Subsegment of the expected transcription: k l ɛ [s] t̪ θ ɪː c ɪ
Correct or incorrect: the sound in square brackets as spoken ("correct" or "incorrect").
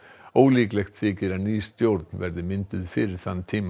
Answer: incorrect